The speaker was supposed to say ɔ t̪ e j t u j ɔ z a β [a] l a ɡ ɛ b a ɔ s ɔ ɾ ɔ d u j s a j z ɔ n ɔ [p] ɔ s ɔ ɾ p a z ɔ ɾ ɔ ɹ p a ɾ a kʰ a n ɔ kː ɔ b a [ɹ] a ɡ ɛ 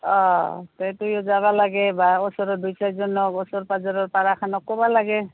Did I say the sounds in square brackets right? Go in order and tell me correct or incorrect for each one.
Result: correct, incorrect, incorrect

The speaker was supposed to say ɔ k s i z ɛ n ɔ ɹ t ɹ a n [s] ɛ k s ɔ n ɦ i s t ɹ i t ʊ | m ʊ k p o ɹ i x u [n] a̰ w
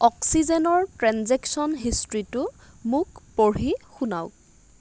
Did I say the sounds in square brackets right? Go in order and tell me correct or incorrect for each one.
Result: incorrect, correct

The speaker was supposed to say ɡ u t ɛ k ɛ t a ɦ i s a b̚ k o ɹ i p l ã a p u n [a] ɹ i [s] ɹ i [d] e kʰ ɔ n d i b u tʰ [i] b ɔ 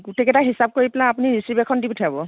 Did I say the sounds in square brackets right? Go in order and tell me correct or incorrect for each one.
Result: incorrect, correct, incorrect, incorrect

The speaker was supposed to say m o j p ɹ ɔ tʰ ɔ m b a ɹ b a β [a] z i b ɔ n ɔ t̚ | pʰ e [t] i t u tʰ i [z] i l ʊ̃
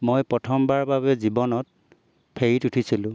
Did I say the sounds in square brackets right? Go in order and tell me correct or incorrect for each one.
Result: incorrect, incorrect, incorrect

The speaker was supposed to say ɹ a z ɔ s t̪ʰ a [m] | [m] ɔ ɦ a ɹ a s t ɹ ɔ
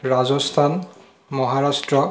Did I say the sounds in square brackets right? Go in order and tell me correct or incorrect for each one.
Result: incorrect, correct

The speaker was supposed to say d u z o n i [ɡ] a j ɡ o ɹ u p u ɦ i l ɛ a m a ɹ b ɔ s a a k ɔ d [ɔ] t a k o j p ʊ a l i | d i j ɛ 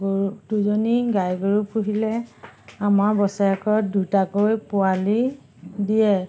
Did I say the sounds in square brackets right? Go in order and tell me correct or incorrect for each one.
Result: correct, incorrect

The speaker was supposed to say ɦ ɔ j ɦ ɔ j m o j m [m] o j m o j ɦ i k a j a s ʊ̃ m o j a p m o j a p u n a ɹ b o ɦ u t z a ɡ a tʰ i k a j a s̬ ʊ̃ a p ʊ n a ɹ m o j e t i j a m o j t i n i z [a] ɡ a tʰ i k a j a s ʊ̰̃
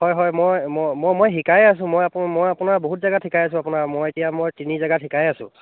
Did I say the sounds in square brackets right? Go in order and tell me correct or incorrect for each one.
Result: correct, correct

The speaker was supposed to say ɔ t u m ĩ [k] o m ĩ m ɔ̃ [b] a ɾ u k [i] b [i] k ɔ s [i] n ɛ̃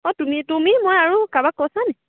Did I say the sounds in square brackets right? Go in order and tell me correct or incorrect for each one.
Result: incorrect, incorrect, incorrect, incorrect, incorrect

